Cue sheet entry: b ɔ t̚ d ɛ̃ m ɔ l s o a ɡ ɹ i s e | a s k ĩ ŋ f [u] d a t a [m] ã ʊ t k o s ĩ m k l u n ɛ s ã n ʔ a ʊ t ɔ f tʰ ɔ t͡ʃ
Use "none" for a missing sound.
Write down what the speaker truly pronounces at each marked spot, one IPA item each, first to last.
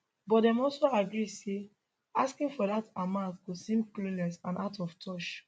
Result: ɔ, m

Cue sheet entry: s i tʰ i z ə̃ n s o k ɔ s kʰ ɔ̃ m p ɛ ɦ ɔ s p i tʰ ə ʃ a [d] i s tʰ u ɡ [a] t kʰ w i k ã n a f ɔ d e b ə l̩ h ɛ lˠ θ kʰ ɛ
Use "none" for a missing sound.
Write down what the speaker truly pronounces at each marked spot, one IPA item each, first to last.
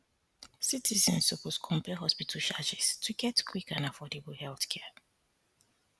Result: d͡ʒ, ɛ

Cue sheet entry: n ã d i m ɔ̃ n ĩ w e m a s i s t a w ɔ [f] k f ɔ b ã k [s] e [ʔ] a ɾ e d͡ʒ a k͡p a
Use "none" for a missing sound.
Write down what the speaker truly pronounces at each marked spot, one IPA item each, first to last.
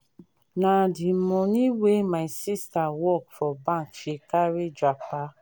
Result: none, ʃ, k

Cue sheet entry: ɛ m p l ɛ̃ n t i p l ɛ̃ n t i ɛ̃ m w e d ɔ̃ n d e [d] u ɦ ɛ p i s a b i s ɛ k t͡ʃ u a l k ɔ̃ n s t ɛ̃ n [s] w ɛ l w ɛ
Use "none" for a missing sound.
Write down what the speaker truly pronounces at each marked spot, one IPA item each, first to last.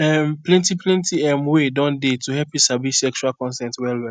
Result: t, t

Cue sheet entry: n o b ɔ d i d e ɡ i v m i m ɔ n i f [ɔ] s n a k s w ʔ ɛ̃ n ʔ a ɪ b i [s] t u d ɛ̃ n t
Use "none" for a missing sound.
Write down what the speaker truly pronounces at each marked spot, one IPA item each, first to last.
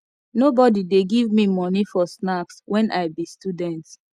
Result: ɔ, s

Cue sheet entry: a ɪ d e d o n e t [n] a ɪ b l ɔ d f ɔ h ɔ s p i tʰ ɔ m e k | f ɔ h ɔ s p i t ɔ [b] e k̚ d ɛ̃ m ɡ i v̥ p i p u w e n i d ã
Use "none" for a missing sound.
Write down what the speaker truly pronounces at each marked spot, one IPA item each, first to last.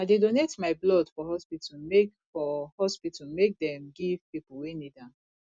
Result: m, m

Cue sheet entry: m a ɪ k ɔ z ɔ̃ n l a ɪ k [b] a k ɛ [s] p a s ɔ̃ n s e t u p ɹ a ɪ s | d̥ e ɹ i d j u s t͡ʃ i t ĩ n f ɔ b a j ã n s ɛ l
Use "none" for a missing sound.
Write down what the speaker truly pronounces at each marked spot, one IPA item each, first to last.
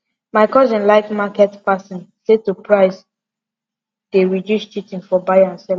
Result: m, t

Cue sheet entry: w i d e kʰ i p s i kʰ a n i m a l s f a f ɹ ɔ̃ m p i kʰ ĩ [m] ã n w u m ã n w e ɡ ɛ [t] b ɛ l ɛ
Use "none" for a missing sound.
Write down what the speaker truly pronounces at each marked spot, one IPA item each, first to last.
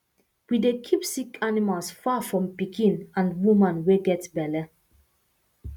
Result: n, t

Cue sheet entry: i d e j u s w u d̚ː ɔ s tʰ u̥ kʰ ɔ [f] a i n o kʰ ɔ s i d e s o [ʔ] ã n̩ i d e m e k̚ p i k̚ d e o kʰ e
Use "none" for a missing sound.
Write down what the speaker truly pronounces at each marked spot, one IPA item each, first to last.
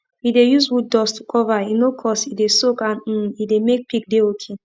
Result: v, k

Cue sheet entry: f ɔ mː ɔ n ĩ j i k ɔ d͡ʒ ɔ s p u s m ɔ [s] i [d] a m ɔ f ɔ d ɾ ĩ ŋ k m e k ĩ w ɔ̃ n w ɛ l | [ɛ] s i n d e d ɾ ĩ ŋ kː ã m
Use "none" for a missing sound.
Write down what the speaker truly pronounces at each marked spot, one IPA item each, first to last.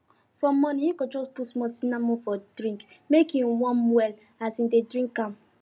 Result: s, n, a

